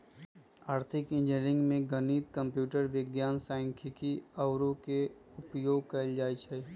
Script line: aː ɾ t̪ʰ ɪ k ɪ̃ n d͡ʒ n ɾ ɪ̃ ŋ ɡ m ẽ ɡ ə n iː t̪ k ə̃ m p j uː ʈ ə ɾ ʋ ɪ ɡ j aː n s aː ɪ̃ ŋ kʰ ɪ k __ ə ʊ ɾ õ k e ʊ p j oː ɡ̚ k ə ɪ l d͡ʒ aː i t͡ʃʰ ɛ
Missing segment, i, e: i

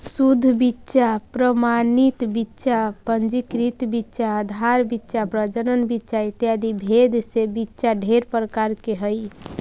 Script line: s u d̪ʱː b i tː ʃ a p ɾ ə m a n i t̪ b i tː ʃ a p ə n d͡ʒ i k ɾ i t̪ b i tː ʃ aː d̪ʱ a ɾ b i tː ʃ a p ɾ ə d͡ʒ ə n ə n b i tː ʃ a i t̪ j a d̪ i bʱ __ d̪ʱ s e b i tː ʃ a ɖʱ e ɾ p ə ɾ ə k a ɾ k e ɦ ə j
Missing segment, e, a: e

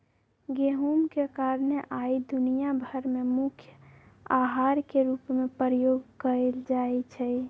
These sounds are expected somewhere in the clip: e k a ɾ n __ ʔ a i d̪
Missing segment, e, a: e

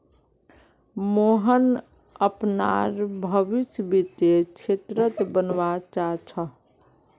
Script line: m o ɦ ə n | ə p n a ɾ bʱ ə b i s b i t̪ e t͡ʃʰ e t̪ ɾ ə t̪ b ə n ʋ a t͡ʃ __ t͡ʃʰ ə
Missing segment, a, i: a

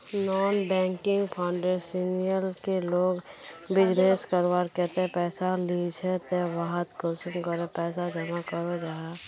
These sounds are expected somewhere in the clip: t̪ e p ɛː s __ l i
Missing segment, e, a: a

